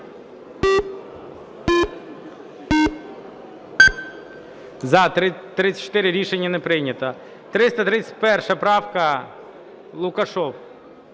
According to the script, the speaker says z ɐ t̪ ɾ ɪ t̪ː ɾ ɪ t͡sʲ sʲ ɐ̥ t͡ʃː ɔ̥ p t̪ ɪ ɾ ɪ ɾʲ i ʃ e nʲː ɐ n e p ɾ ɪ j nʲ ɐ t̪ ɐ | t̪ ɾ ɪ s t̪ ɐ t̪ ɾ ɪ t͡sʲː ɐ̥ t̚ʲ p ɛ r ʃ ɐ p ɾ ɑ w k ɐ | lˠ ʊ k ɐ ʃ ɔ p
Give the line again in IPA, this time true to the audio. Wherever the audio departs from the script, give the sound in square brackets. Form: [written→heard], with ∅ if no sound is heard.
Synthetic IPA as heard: z ɐ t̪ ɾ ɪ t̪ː ɾ ɪ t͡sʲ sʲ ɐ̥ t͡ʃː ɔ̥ [p→∅] t̪ ɪ ɾ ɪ ɾʲ i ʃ e nʲː ɐ n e p ɾ ɪ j nʲ ɐ t̪ ɐ | t̪ ɾ ɪ s t̪ ɐ t̪ ɾ ɪ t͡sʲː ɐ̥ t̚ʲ p ɛ r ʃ ɐ p ɾ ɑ w k ɐ | lˠ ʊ k ɐ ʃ ɔ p

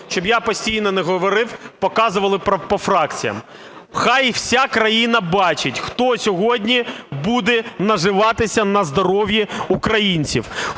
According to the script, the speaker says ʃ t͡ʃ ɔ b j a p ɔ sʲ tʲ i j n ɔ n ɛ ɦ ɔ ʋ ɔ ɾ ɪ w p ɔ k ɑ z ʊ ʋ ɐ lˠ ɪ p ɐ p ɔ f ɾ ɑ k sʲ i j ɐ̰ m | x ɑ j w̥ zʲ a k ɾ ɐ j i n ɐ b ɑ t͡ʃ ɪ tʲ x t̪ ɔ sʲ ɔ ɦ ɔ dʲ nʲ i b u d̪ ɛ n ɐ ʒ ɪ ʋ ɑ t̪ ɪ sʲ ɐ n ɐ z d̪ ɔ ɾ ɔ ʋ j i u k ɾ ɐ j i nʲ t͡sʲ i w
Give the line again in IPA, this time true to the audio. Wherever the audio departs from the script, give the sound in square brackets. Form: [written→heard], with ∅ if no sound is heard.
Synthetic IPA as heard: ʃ t͡ʃ ɔ b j a p ɔ sʲ tʲ i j n ɔ n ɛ ɦ ɔ ʋ ɔ ɾ ɪ w p ɔ k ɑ z ʊ ʋ ɐ lˠ ɪ p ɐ p ɔ f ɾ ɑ k [sʲ→t͡sʲ] i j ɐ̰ m | x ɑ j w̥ [zʲ→sʲ] a k ɾ ɐ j i n ɐ b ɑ t͡ʃ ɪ tʲ x t̪ ɔ sʲ ɔ ɦ ɔ dʲ nʲ i b u d̪ ɛ n ɐ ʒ ɪ ʋ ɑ t̪ ɪ sʲ ɐ n ɐ z d̪ ɔ ɾ ɔ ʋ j i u k ɾ ɐ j i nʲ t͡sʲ i w

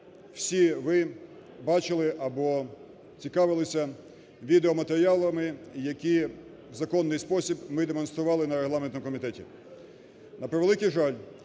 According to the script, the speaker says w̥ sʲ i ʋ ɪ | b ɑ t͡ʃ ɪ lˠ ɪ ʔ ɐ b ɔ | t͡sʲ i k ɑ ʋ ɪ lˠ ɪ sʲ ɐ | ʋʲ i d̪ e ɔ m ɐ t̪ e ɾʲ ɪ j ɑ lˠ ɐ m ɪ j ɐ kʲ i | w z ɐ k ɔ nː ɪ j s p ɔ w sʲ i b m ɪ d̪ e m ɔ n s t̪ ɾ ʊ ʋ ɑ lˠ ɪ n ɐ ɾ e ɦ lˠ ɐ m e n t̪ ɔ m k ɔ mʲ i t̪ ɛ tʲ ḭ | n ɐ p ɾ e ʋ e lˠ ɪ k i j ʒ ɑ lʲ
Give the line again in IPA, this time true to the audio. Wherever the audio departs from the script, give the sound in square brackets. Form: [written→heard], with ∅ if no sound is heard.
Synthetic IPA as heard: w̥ sʲ i ʋ ɪ | b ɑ t͡ʃ ɪ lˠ ɪ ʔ ɐ b ɔ | t͡sʲ i k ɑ ʋ ɪ lˠ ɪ sʲ ɐ | ʋʲ i d̪ e ɔ m ɐ t̪ e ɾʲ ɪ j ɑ lˠ ɐ m ɪ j ɐ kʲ i | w z ɐ k ɔ nː ɪ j s p ɔ [w→∅] sʲ i b m ɪ d̪ e m ɔ n s t̪ ɾ ʊ ʋ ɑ lˠ ɪ n ɐ ɾ e ɦ lˠ [ɐ→ɑ] m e n t̪ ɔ m k ɔ mʲ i t̪ ɛ tʲ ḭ | n ɐ p ɾ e ʋ e lˠ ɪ k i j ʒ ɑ lʲ

